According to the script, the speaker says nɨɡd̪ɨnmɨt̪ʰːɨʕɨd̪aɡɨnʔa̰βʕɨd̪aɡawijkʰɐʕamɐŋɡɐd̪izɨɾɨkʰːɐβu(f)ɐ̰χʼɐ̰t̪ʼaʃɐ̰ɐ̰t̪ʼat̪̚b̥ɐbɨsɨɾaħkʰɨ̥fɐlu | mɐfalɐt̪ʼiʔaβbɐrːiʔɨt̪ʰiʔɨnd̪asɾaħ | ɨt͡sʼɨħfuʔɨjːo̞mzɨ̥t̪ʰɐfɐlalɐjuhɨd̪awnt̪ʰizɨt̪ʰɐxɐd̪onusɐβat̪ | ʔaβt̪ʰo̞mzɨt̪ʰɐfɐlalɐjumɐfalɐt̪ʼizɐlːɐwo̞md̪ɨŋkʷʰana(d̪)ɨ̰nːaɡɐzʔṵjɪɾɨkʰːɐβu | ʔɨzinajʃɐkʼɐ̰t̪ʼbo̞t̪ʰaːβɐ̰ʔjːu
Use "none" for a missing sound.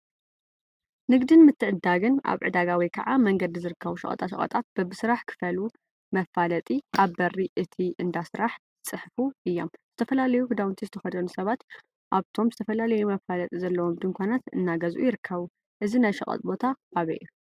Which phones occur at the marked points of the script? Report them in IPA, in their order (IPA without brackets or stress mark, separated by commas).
ʃ, t̪